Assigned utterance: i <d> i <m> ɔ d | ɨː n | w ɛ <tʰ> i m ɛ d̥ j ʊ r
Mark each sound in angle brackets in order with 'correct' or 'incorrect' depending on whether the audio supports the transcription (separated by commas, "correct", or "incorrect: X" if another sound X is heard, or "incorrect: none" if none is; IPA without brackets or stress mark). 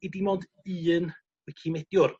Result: correct, correct, incorrect: kʰ